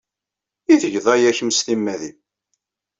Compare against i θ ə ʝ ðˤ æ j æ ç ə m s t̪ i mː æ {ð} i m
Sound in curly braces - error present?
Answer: no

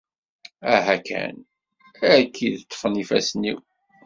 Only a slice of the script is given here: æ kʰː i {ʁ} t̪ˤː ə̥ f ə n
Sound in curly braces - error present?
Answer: yes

